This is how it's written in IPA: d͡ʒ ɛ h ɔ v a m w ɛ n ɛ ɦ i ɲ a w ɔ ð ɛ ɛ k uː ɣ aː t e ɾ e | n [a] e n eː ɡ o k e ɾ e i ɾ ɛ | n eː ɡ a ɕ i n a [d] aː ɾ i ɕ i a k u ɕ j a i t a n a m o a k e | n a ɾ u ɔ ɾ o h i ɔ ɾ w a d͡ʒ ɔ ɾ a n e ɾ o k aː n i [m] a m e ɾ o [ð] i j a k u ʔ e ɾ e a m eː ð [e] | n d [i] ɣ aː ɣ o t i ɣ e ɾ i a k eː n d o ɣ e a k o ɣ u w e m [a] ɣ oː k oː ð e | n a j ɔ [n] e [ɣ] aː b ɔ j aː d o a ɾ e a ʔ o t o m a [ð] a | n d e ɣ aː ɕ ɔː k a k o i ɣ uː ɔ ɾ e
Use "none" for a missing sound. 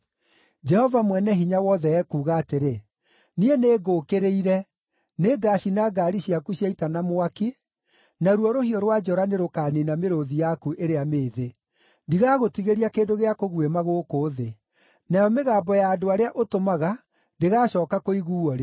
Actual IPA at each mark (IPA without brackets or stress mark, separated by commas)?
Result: i, ɡ, n, ð, e, i, a, m, ɣ, ɣ